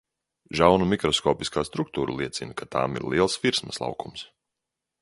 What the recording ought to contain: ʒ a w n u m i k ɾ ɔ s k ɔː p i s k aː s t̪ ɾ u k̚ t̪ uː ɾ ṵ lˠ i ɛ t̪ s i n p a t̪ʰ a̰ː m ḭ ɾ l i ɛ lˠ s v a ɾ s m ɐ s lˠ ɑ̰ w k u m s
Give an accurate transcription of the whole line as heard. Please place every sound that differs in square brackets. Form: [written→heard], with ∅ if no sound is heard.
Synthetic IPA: ʒ a w n u m i k ɾ ɔ s k ɔː p i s k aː s t̪ ɾ u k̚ t̪ uː ɾ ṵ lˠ i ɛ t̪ s i n [p→k] a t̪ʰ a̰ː m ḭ ɾ l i ɛ lˠ s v [a→i] ɾ s m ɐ s lˠ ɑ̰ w k u m s